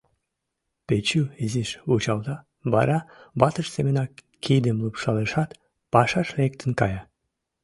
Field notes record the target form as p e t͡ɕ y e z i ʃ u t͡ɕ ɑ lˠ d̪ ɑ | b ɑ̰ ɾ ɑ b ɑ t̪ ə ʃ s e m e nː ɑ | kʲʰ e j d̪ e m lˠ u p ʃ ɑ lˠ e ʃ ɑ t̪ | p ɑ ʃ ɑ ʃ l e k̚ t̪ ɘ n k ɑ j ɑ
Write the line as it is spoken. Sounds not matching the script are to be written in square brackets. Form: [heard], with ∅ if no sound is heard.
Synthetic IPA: p e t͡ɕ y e z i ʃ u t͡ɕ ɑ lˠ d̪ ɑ | b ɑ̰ ɾ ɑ b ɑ t̪ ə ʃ s e m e [n] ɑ | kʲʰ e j d̪ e m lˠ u p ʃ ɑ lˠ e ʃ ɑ t̪ | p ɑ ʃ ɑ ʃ l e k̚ t̪ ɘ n k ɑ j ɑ